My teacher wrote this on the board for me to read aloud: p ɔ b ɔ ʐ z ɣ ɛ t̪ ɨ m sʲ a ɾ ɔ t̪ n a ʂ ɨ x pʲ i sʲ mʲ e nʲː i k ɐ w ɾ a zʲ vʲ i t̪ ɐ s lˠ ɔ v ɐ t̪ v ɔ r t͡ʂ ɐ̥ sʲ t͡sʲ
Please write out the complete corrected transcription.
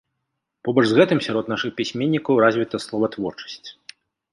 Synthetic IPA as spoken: p ɔ b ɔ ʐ z ɣ ɛ t̪ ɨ m sʲ a ɾ ɔ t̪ n a ʂ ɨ x pʲ i sʲ mʲ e nʲː i k ɐ w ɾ a zʲ vʲ i t̪ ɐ s lˠ ɔ v ɐ t̪ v ɔ r t͡ʂ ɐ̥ sʲ t͡sʲ